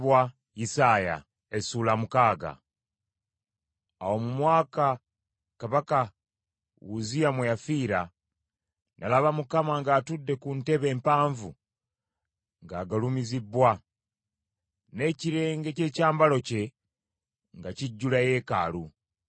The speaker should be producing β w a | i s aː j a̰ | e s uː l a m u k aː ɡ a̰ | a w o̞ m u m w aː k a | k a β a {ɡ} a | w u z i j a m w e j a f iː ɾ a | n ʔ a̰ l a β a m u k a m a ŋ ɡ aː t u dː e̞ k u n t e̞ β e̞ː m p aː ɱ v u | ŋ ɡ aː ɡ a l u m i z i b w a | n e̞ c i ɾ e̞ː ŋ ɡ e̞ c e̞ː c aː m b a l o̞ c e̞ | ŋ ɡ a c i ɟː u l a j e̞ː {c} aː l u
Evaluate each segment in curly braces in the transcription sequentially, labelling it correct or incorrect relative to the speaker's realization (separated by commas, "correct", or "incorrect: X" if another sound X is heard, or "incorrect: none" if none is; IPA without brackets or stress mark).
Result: incorrect: k, incorrect: k